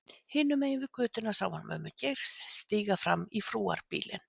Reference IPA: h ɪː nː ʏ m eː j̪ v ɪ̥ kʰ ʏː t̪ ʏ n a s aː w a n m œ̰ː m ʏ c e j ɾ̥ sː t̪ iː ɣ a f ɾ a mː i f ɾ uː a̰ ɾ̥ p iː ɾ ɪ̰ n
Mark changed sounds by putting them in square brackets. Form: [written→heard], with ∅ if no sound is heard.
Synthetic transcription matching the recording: h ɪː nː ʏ m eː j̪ v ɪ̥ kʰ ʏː t̪ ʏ n a s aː w a n m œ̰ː m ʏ c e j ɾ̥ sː t̪ iː ɣ a f ɾ a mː i f ɾ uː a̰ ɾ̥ p iː [ɾ→l] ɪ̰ n